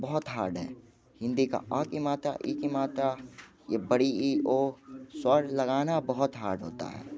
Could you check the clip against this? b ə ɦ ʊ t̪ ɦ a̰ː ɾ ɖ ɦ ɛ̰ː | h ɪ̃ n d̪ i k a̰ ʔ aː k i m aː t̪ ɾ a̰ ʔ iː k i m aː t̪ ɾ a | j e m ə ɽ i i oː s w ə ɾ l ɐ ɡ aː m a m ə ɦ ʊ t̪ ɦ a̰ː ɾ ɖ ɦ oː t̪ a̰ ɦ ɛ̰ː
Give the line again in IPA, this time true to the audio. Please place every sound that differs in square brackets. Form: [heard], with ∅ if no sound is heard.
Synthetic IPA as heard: b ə ɦ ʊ t̪ ɦ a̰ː ɾ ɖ ɦ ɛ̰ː | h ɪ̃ n d̪ i k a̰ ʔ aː k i m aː t̪ ɾ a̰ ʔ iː k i m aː t̪ ɾ a | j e [b] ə ɽ i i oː s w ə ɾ l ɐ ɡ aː [n] a [b] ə ɦ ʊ t̪ ɦ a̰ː ɾ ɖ ɦ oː t̪ a̰ ɦ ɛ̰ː

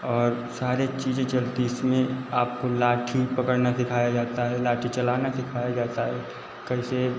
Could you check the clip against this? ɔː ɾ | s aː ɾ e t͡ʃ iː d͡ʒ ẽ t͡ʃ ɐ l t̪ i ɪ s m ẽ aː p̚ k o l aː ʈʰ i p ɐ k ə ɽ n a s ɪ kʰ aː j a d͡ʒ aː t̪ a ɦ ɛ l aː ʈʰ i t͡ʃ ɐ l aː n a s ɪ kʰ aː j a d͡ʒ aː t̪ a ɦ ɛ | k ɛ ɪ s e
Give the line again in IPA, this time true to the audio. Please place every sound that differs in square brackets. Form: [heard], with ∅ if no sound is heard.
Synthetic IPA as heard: ɔː ɾ | s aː ɾ e t͡ʃ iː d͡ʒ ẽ t͡ʃ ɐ l t̪ i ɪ s m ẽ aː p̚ k o l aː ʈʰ i p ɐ k ə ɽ n a s ɪ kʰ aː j a d͡ʒ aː t̪ a ɦ ɛ l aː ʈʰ i t͡ʃ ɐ l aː n a s ɪ kʰ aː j a d͡ʒ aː t̪ a ɦ ɛ | k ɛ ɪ s e

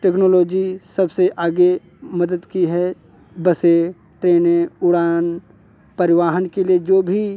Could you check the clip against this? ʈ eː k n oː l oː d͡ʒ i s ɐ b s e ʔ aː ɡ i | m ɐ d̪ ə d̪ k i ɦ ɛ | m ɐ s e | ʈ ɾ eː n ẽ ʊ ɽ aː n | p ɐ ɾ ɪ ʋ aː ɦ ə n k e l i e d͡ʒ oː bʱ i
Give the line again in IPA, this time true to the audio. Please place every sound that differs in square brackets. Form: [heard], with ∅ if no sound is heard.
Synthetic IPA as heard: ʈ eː k n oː l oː d͡ʒ i s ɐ b s e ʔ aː ɡ [e] | m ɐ d̪ ə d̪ k i ɦ ɛ | [b] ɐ s e | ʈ ɾ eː n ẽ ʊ ɽ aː n | p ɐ ɾ ɪ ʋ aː ɦ ə n k e l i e d͡ʒ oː bʱ i

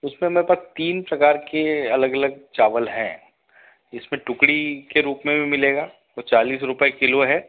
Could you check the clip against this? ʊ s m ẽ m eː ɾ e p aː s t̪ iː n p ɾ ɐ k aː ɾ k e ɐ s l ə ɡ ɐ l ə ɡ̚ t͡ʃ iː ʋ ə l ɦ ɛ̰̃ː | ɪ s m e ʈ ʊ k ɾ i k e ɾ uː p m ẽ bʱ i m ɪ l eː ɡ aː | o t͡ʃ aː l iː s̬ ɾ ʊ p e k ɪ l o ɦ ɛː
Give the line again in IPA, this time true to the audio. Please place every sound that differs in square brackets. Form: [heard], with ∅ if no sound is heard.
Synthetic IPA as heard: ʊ s m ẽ m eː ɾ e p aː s t̪ iː n p ɾ ɐ k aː ɾ k e ɐ [∅] l ə ɡ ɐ l ə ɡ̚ t͡ʃ [aː] ʋ ə l ɦ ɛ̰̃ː | ɪ s m [ẽ] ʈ ʊ k [ɽ] i k e ɾ uː p m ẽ bʱ i m ɪ l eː ɡ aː | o t͡ʃ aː l iː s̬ ɾ ʊ p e k ɪ l o ɦ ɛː

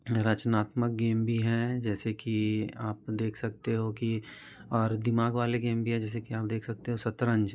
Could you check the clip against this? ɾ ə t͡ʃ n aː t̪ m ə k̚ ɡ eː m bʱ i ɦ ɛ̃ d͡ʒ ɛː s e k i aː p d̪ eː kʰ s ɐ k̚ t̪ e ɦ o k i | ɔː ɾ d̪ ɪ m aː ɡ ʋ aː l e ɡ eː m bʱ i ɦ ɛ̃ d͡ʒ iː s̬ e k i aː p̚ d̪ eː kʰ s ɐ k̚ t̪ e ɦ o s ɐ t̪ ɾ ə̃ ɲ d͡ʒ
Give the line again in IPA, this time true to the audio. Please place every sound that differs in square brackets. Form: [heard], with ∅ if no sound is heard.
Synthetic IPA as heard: ɾ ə t͡ʃ n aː t̪ m ə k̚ ɡ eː m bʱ i ɦ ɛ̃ d͡ʒ ɛː s e k i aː p d̪ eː kʰ s ɐ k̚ t̪ e ɦ o k i | ɔː ɾ d̪ ɪ m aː ɡ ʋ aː l e ɡ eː m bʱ i ɦ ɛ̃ d͡ʒ [ɛː] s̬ e k i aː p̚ d̪ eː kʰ s ɐ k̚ t̪ e ɦ o s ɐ t̪ ɾ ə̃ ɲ d͡ʒ

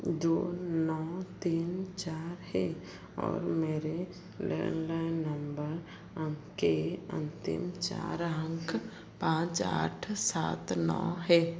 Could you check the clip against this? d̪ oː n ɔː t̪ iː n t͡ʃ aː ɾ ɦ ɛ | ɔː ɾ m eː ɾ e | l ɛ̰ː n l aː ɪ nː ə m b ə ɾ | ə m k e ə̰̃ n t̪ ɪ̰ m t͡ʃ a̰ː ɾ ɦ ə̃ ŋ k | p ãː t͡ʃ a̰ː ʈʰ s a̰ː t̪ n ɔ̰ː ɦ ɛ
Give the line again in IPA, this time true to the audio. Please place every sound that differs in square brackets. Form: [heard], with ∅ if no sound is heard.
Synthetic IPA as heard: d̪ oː n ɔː t̪ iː n t͡ʃ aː ɾ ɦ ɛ | ɔː ɾ m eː ɾ e | l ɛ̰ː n l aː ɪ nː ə m b ə ɾ | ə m k e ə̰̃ n t̪ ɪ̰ m t͡ʃ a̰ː ɾ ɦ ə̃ ŋ k | p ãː t͡ʃ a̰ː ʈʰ s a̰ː t̪ n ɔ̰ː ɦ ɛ

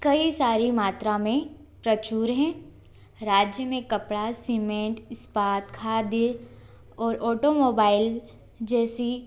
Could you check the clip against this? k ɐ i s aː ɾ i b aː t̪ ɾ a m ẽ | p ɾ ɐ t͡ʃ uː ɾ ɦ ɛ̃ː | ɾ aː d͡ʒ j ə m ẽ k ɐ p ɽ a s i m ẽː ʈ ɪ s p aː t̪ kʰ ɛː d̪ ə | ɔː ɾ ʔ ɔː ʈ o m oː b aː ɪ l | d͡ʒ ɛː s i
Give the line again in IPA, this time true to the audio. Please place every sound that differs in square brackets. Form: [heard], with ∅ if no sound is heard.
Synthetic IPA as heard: k ɐ i s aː ɾ i [m] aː t̪ ɾ a m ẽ | p ɾ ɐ t͡ʃ uː ɾ ɦ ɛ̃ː | ɾ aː d͡ʒ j ə m ẽ k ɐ p ɽ a s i m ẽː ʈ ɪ s p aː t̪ kʰ [aː] d̪ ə | ɔː ɾ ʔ ɔː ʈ o m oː b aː ɪ l | d͡ʒ ɛː s i

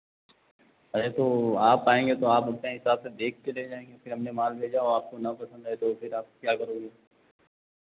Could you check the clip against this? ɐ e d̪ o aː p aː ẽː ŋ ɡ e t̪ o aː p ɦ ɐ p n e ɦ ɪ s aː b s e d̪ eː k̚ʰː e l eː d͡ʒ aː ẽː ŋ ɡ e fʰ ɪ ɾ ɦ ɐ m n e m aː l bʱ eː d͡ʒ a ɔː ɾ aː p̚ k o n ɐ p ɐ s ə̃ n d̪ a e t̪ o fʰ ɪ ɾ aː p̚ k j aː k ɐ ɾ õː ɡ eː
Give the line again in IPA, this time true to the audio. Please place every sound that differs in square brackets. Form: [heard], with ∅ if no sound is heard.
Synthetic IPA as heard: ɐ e [t̪] o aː p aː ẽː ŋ ɡ e t̪ o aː p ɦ ɐ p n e ɦ ɪ s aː b s e d̪ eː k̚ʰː e l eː d͡ʒ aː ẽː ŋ ɡ e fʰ ɪ ɾ ɦ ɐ m n e m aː l bʱ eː d͡ʒ a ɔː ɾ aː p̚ k o n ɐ p ɐ s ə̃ n d̪ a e t̪ o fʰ ɪ ɾ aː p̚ k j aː k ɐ ɾ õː ɡ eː

